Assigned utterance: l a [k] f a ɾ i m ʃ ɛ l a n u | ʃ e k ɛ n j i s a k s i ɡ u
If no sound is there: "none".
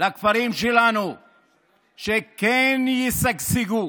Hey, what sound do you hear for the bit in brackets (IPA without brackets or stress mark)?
k